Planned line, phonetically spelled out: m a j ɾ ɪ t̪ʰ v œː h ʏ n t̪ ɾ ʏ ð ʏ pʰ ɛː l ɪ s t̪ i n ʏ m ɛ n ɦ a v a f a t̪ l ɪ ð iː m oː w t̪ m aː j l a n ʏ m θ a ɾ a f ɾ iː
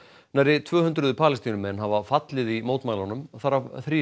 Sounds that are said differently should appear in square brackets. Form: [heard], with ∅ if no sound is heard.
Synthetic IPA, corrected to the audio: [n] a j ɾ ɪ t̪ʰ v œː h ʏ n t̪ ɾ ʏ ð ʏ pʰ [aː] l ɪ s t̪ i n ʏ m ɛ n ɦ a v a f a t̪ l ɪ ð [i] m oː w t̪ m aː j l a n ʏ m θ a ɾ a [θ] ɾ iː

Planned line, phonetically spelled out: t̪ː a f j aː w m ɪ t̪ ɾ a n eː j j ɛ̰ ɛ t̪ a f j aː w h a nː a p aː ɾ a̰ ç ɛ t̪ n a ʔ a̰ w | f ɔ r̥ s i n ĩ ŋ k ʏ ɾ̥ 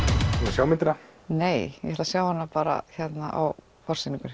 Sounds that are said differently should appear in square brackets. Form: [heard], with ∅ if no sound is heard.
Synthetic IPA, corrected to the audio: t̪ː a [s] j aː w m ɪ t̪ ɾ a n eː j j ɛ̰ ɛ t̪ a [s] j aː w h a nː a p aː ɾ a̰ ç ɛ t̪ n a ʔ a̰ w | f ɔ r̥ s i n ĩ ŋ k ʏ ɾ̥

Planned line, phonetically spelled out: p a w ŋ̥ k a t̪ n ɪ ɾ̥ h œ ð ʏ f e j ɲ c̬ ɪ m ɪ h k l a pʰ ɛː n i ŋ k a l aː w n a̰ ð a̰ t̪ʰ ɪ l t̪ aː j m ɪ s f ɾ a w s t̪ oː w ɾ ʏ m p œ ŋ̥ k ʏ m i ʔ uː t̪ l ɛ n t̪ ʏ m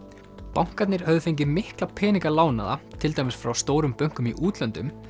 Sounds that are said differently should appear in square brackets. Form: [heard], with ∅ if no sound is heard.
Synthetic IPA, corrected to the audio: p a w ŋ̥ k a t̪ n ɪ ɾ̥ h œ ð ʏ f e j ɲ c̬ ɪ m ɪ h k l a pʰ ɛː n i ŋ k a l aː w n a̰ ð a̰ t̪ʰ ɪ l t̪ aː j m ɪ s f ɾ a w s t̪ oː w ɾ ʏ m p œ ŋ̥ k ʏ m i ʔ uː t̪ l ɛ n t̪ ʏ m

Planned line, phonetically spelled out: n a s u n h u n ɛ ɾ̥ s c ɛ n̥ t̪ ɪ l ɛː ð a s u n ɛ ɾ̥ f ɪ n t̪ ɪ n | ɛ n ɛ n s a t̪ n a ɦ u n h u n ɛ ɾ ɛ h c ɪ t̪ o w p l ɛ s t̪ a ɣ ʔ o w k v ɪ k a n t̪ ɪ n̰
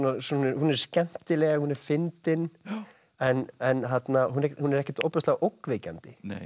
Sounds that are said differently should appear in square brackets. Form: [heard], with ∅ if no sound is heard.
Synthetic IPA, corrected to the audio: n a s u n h u n ɛ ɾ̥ s c ɛ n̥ t̪ ɪ l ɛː [ɣ] a [h] u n ɛ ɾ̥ f ɪ n t̪ ɪ n | ɛ n ɛ n [θ] a t̪ n a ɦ u n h u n ɛ ɾ ɛ h c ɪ t̪ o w p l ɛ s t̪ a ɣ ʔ o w k v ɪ [c] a n t̪ ɪ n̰

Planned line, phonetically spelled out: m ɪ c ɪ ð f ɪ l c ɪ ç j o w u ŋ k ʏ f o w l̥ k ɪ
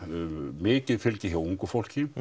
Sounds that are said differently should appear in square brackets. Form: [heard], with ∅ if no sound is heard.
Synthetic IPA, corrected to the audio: m [ɪː] c ɪ ð f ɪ l c ɪ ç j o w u ŋ k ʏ f o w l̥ [c] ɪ

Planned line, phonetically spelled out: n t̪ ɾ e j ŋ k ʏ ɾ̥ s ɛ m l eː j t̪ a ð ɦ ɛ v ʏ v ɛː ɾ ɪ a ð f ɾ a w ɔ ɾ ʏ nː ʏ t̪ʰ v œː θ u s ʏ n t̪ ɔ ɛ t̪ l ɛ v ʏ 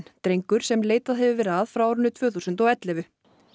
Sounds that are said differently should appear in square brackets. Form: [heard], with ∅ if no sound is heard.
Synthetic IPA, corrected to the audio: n t̪ ɾ e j ŋ k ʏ ɾ̥ s ɛ m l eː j t̪ a ð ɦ ɛ v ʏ v ɛː ɾ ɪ a ð f ɾ a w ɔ ɾ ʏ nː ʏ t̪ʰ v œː θ u s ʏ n t̪ ɔ ɛ t̪ l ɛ v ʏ

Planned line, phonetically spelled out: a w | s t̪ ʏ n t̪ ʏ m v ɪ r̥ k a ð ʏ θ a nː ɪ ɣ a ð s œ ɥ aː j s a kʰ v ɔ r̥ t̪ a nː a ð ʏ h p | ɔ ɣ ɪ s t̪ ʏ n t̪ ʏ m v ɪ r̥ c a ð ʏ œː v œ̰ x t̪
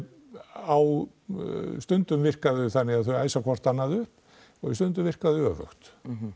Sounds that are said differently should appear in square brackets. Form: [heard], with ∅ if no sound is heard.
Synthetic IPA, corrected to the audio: a w | s t̪ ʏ n t̪ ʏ m v ɪ r̥ k a ð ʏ θ a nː ɪ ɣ a ð [θ] œ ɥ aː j s a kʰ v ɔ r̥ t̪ a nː a ð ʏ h p | ɔ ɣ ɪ s t̪ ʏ n t̪ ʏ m v ɪ r̥ [k] a ð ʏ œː v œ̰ x t̪

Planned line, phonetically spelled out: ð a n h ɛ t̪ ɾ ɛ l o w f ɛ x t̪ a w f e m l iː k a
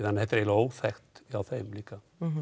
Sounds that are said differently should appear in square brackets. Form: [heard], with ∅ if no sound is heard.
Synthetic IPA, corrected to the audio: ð a n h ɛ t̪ ɾ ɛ l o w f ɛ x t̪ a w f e m l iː k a

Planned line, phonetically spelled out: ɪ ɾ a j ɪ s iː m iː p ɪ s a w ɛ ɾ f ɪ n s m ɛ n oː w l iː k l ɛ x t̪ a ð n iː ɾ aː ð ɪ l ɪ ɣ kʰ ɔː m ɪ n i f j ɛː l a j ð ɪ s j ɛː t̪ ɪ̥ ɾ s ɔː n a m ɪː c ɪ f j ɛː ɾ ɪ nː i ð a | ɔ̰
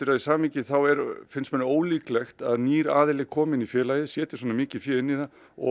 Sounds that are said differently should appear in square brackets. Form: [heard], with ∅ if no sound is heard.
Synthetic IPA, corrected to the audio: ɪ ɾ a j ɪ s [aː] m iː [c] ɪ [θ] a w ɛ ɾ f ɪ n s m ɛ n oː w l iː k l ɛ x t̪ a ð n iː ɾ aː ð ɪ l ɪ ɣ kʰ ɔː m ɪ n i f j ɛː l a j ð ɪ s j ɛː t̪ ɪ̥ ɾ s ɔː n a m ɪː c ɪ f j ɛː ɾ ɪ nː i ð a | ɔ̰

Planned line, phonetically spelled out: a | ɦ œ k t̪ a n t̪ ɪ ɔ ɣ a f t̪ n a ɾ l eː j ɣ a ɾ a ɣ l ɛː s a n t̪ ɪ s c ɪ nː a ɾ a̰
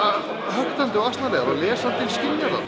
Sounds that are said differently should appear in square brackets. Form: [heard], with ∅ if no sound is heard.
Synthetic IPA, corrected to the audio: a | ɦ œ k t̪ a n t̪ ɪ ɔ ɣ a [s] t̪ n a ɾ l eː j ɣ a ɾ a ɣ l ɛː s a n t̪ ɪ s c ɪ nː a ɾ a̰

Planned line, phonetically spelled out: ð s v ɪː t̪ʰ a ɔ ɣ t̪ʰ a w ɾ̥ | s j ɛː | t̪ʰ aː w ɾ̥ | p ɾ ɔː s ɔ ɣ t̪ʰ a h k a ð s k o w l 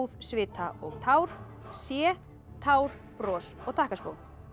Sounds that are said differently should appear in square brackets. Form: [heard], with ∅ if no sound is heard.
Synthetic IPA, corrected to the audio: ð s v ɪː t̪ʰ a ɔ ɣ t̪ʰ a w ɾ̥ | s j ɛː | t̪ʰ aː w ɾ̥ | p ɾ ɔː s ɔ ɣ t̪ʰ a h k a [∅] s k o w l

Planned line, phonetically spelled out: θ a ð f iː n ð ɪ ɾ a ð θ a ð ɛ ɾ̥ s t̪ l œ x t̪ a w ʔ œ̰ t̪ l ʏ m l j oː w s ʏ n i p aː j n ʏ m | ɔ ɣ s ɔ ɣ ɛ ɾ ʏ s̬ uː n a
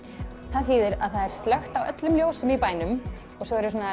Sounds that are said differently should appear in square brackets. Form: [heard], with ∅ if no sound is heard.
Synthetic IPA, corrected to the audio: θ a ð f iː [∅] ð ɪ ɾ a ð θ a ð ɛ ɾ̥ s t̪ l œ x t̪ a w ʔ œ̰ t̪ l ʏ m l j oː w s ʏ [m] i p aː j n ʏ m | ɔ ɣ s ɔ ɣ ɛ ɾ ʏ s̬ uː n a

